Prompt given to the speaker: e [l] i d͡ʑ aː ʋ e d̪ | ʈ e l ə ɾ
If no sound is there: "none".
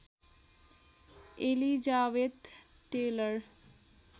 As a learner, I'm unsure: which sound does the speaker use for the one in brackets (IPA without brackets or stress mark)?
l